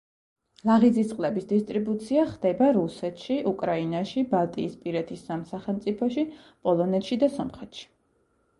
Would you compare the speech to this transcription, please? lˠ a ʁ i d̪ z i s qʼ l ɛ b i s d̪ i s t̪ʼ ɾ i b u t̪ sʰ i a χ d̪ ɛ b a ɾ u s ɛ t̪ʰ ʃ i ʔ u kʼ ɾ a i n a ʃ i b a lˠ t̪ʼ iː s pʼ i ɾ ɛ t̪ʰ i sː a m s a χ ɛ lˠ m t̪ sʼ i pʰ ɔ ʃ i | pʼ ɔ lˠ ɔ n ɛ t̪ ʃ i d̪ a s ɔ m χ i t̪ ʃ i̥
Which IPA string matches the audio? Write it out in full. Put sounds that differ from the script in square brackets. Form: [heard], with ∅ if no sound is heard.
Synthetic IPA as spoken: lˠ a ʁ i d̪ z i s qʼ l ɛ b i s d̪ i s t̪ʼ ɾ i b u t̪ sʰ i a χ d̪ ɛ b a ɾ u s ɛ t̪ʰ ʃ i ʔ u kʼ ɾ a i n a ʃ i b a lˠ t̪ʼ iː s pʼ i ɾ ɛ t̪ʰ i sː a m s a χ ɛ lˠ m t̪ sʼ i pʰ ɔ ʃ i | pʼ ɔ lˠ ɔ n ɛ t̪ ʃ i d̪ a s ɔ m χ [ɛ] t̪ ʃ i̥